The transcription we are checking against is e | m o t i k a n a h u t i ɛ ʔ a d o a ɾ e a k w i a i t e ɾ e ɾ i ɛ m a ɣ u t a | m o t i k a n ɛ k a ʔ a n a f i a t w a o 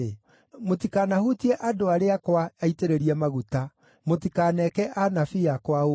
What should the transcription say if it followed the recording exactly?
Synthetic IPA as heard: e | m o t i k a n a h u t i ɛ ʔ a d o a ɾ e a k w a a i t e ɾ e ɾ i ɛ m a ɣ u t a | m o t i k a n ɛ k ɛ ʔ a n a f i a k w a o